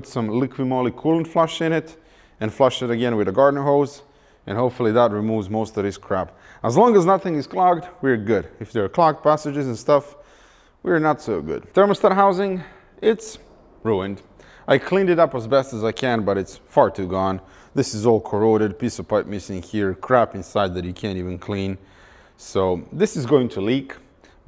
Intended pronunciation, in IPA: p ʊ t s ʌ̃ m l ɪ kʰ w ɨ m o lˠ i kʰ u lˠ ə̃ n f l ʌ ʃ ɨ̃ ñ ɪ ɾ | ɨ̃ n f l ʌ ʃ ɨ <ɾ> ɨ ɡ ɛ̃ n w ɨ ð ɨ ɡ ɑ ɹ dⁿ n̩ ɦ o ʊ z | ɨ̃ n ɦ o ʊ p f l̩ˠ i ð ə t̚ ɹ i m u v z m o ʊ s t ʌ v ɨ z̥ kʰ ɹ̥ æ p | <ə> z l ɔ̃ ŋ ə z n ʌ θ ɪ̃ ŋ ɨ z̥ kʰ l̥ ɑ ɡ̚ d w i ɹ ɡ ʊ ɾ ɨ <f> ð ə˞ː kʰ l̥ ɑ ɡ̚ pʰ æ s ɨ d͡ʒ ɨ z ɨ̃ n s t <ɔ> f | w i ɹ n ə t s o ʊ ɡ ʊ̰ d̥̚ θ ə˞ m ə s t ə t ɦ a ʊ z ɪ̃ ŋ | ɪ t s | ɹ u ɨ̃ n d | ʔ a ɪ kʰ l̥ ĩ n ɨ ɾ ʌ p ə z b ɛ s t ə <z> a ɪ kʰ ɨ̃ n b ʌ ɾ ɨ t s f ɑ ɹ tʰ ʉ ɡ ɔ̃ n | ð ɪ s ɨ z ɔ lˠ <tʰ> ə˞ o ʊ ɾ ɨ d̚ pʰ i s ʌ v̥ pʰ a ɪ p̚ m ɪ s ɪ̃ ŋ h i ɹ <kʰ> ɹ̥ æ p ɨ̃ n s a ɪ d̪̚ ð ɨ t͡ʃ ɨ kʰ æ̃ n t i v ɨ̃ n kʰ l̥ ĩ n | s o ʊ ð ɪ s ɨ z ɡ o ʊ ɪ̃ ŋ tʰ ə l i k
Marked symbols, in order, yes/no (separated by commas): yes, yes, yes, no, yes, no, yes